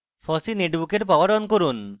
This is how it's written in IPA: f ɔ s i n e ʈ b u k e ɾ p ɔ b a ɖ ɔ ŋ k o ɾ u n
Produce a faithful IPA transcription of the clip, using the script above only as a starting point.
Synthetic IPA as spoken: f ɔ s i n e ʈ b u k e ɾ p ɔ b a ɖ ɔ n k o ɾ u n